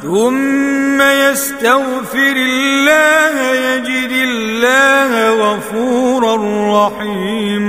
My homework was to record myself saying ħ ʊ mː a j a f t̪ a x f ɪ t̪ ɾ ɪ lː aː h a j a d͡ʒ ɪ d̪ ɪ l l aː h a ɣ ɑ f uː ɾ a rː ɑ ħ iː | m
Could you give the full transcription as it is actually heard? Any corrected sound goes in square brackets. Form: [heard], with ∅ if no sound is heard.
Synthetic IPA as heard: [θ] ʊ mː a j a [s] t̪ a [ɣ] f ɪ [∅] ɾ ɪ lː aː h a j a d͡ʒ ɪ d̪ ɪ l [lː] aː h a ɣ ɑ f uː ɾ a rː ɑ ħ iː | m